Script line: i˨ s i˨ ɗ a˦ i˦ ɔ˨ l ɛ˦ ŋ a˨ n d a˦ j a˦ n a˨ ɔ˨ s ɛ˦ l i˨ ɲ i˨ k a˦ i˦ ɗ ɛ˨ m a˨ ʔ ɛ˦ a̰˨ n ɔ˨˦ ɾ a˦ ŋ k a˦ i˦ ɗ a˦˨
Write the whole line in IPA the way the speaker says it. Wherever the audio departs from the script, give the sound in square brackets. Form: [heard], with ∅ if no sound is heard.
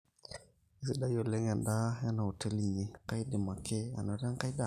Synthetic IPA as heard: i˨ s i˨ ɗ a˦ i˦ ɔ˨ l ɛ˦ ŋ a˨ n d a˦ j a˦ n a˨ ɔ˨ [t] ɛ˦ l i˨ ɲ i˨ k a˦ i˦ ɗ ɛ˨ m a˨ [k] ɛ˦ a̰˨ n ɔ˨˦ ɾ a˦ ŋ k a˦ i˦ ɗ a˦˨